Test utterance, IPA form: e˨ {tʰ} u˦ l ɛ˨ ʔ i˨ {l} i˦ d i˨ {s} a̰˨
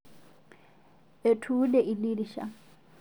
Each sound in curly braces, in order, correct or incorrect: correct, correct, incorrect: ʃ

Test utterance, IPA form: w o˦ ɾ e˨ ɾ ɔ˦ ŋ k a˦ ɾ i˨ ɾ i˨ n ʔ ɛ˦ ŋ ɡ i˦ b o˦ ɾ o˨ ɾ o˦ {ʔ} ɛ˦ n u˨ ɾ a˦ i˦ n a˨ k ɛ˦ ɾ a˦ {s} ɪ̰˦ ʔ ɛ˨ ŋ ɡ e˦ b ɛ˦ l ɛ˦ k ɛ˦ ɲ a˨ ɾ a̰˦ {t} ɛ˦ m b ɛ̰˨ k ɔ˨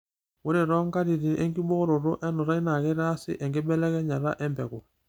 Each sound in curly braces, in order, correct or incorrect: correct, correct, incorrect: ʔ

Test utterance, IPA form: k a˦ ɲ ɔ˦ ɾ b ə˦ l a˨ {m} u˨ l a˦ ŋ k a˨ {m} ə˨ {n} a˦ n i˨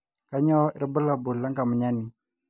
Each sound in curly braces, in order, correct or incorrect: incorrect: b, correct, incorrect: ɲ

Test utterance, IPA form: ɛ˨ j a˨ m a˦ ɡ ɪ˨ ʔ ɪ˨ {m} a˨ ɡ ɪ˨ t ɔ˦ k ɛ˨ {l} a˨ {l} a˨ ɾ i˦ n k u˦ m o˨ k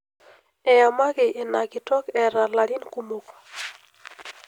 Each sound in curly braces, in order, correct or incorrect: incorrect: n, incorrect: ɾ, correct

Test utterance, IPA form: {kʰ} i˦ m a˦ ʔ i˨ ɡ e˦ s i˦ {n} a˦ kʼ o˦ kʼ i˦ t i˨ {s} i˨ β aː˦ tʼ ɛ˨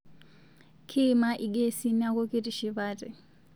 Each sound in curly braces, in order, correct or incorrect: correct, correct, incorrect: ʃ

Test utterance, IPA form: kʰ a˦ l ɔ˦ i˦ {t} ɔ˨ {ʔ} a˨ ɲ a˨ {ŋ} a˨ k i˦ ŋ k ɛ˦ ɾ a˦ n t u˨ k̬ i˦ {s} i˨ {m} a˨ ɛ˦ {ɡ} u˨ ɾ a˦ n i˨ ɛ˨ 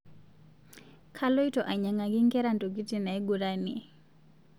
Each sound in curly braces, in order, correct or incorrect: correct, correct, correct, incorrect: t, incorrect: n, correct

